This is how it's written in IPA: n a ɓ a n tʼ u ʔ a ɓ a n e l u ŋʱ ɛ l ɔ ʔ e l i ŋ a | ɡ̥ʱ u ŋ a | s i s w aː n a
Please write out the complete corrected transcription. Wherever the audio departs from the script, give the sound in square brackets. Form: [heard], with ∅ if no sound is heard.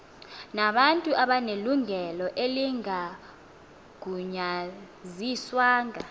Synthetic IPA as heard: n a ɓ a n tʼ u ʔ a ɓ a n e l u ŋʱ ɛ l ɔ ʔ e l i ŋ a | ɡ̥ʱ u [ɲ] a | [z] i s w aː [ŋ] a

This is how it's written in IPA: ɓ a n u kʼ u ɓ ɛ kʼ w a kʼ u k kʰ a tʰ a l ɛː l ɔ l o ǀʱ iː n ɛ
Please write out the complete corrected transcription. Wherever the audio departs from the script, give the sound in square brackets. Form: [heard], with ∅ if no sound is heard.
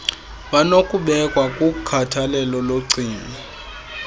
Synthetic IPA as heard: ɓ a n [o] kʼ u ɓ ɛ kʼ w a kʼ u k kʰ a tʰ a l [ɛ] l ɔ l o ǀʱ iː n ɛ

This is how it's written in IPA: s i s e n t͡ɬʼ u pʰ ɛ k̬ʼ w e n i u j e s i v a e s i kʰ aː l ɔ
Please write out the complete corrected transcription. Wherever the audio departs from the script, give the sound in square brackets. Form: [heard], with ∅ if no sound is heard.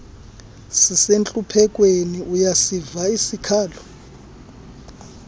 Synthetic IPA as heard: s i s e n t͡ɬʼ u pʰ ɛ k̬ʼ w e n i u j [a] s i v a [i] s i kʰ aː l ɔ

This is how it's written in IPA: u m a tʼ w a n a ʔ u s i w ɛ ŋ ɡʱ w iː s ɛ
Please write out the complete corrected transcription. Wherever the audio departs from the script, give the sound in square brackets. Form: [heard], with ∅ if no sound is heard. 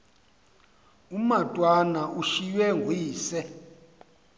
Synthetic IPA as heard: u m a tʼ w a n a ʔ u [ʃ] i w ɛ ŋ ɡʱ w iː s ɛ

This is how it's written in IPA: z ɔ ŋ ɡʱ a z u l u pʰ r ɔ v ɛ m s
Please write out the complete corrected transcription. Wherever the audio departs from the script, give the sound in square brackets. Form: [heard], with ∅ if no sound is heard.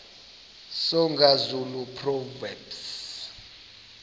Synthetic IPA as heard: [s] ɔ ŋ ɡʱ a z u l u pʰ r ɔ v ɛ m s

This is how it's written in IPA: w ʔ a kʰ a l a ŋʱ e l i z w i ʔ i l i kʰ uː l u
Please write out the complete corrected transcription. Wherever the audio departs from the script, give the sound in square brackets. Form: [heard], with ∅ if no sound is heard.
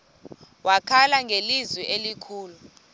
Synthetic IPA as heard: w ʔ a kʰ a l a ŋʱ e l i z w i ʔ [e] l i kʰ uː l u

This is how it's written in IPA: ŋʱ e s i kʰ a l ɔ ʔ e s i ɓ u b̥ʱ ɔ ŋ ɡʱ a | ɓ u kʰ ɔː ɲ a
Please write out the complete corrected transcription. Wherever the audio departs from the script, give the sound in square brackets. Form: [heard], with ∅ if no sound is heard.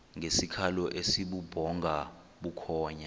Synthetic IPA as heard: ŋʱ e s i kʰ a l ɔ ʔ e s i ɓ u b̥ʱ ɔ ŋ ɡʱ a | ɓ u kʰ ɔː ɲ a

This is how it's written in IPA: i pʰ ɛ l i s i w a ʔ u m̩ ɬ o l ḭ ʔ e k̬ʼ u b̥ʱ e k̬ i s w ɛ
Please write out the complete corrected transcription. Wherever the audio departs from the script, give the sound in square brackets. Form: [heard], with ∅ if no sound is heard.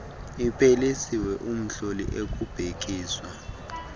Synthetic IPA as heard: i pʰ [e] l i s i w [ɛ] ʔ u m̩ ɬ o l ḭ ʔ e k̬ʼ u b̥ʱ e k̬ [iː] s w [a]

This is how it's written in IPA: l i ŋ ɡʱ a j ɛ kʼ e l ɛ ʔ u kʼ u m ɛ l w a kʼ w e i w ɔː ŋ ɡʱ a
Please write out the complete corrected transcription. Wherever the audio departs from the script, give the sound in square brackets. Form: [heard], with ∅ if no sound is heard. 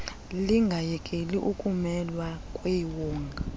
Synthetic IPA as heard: l i ŋ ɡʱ a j ɛ kʼ e l [i] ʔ u kʼ u m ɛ l w a kʼ w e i w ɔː ŋ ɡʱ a

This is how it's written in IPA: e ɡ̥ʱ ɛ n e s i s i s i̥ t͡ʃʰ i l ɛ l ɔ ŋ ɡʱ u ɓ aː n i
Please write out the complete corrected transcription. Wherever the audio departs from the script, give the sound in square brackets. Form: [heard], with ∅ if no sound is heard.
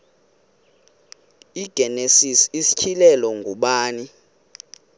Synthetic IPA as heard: [i] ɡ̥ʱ ɛ n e s i s i s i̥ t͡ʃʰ i l ɛ l ɔ ŋ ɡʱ u ɓ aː n i

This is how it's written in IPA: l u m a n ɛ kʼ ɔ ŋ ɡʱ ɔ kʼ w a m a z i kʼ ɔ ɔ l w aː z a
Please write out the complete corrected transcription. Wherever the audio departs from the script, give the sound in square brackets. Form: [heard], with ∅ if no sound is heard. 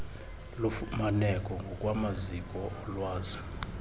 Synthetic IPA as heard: l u m a n ɛ kʼ ɔ ŋ ɡʱ ɔ kʼ w a m a z i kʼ ɔ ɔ l w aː z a

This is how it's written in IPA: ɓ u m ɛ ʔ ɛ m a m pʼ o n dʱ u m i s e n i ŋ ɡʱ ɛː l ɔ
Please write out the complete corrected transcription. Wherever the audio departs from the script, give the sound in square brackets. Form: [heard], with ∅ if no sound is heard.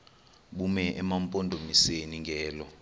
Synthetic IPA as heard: ɓ u m ɛ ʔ ɛ m a m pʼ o n dʱ [o] m i s e n i ŋ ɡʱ ɛː l ɔ

